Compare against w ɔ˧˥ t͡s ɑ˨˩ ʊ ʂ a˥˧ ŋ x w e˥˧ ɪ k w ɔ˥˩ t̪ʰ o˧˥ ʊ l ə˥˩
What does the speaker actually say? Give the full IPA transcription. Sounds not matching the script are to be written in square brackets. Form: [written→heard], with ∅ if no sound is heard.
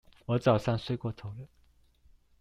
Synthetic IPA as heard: w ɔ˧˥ t͡s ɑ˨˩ ʊ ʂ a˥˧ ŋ [x→s] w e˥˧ ɪ k w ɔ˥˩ t̪ʰ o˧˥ ʊ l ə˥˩